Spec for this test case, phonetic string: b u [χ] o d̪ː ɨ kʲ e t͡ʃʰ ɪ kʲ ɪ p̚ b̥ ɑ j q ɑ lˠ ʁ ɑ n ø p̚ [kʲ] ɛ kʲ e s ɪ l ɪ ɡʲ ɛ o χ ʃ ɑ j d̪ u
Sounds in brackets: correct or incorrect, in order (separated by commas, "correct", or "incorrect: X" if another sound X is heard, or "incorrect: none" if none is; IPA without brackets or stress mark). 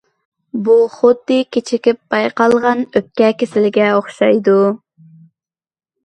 correct, correct